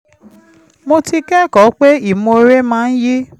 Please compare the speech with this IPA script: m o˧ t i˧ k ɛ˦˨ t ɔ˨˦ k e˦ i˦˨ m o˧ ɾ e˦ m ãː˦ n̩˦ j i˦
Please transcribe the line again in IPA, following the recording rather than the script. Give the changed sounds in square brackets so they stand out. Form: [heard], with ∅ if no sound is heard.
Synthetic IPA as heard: m o˧ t i˧ k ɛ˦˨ [k] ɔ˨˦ [k͡p] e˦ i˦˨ m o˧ ɾ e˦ m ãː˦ n̩˦ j i˦